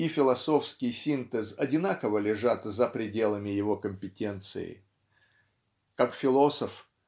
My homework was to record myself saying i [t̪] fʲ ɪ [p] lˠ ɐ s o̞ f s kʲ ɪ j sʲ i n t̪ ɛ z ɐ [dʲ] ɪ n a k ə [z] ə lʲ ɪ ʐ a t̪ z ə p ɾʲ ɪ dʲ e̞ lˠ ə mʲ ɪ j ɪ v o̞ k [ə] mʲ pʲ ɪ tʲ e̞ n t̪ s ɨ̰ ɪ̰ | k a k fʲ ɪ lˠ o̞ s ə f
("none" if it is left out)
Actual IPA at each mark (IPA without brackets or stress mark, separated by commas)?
none, none, dʲ, v, ə